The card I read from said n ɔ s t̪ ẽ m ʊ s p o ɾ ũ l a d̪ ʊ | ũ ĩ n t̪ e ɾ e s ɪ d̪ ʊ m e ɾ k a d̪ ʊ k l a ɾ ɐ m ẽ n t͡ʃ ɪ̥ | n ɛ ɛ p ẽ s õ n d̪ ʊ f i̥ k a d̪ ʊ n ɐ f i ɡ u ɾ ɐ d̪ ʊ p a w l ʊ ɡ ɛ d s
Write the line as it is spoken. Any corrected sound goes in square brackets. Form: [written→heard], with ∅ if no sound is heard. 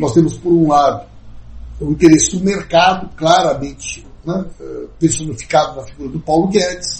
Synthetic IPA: n ɔ s t̪ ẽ m ʊ s p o ɾ ũ l a d̪ ʊ | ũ ĩ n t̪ e ɾ e s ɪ d̪ ʊ m e ɾ k a d̪ ʊ k l a ɾ ɐ m ẽ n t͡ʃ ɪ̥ | n ɛ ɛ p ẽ s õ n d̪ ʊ f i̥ k a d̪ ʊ n ɐ f i ɡ u ɾ ɐ d̪ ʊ p a w l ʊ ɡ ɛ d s